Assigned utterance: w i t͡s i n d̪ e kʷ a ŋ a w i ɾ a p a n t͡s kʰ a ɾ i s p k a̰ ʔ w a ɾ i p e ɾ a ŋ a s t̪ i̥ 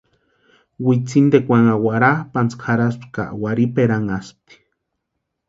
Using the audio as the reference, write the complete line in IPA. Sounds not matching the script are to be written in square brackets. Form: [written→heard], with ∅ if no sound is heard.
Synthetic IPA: w i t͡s i n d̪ e kʷ a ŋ a w [i→a] ɾ a p a n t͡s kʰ a ɾ [i→a] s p k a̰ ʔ w a ɾ i p e ɾ a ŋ a s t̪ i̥

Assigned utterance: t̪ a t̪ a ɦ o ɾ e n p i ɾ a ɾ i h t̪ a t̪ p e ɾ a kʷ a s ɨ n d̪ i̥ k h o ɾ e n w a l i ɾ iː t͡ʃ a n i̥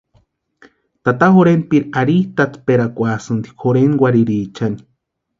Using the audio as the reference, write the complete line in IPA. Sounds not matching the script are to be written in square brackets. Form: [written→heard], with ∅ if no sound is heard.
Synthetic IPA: t̪ a t̪ a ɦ o ɾ e n p i ɾ a ɾ i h t̪ a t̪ p e ɾ a kʷ a s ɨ n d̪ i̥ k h o ɾ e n w a [l→ɾ] i ɾ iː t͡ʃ a n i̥

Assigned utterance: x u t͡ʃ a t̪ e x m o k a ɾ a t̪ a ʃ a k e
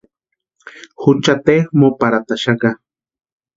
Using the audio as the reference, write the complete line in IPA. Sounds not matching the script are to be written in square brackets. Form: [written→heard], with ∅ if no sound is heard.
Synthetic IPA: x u t͡ʃ a t̪ e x m o [k→p] a ɾ a t̪ a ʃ a k [e→a]

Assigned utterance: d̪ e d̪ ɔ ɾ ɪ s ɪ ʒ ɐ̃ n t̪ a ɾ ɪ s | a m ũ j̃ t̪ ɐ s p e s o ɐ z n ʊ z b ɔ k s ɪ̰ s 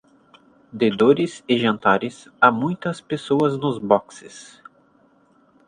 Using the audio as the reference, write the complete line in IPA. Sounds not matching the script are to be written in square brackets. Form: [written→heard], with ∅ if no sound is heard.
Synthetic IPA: d̪ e d̪ [ɔ→o] ɾ ɪ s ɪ ʒ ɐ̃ n t̪ a ɾ ɪ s | a m ũ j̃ t̪ ɐ s p e s o ɐ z n ʊ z b ɔ k s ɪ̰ s

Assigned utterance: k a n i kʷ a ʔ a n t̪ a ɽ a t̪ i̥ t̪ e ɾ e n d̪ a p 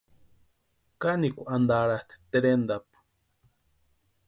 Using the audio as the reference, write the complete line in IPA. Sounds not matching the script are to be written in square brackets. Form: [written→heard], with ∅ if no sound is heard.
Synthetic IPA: k a n i kʷ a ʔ a n [t̪→d̪] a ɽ a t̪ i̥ t̪ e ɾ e n d̪ a p

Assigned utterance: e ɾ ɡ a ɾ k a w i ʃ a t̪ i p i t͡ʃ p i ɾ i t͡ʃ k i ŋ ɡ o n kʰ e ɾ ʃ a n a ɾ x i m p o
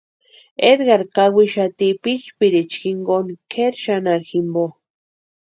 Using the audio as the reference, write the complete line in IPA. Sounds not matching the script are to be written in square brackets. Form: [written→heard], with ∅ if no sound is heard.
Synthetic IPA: e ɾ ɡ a ɾ k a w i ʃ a t̪ i p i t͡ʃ p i ɾ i t͡ʃ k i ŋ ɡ o n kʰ e ɾ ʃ a n a ɾ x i m [p→b] o

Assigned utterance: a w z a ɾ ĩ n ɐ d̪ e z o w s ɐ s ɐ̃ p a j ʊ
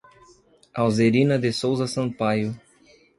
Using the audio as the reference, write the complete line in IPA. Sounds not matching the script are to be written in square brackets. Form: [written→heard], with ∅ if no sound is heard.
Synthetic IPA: a w z [a→e] ɾ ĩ n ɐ d̪ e [z→s] o w [s→z] ɐ s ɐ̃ p a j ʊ

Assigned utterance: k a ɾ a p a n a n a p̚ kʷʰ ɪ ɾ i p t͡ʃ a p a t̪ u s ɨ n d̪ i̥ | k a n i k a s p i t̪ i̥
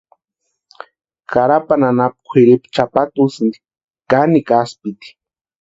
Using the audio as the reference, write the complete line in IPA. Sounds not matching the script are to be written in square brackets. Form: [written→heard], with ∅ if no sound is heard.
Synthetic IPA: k a ɾ a p a n a n a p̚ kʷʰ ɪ ɾ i p t͡ʃ a p a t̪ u s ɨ n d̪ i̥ | k a n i k a s p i t̪ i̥

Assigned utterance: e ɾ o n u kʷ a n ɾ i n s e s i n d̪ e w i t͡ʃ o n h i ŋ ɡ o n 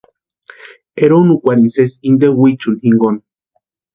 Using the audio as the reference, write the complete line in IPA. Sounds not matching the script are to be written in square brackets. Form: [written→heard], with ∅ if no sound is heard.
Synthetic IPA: e ɾ o n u kʷ a [n→∅] ɾ i n s e s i n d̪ e w i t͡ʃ [o→u] n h i ŋ ɡ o n

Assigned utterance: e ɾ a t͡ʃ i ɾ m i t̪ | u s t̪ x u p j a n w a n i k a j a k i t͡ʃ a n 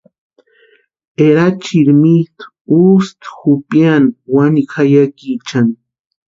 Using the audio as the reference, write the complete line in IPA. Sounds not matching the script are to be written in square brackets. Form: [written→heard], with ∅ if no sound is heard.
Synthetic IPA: e ɾ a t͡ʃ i ɾ m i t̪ | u s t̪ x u p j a n w a n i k a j a k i t͡ʃ a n

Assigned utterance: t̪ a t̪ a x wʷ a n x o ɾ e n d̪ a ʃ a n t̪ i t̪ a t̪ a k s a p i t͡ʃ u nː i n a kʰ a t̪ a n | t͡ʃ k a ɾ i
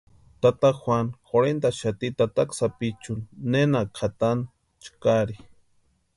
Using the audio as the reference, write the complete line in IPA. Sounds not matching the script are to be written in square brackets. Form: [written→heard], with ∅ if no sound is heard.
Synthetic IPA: t̪ a t̪ a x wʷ a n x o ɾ e n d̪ a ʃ a [n→∅] t̪ i t̪ a t̪ a k s a p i t͡ʃ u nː [i→e] n a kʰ a t̪ a n | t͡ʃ k a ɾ i

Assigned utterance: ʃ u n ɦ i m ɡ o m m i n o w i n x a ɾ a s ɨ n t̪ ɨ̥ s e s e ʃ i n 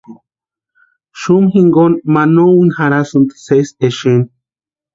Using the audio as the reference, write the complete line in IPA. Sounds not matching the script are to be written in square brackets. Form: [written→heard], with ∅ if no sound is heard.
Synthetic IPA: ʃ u [n→m] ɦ i [m→ŋ] ɡ o [m→n] m [i→a] n o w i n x a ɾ a s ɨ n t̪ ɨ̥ s e s e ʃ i n

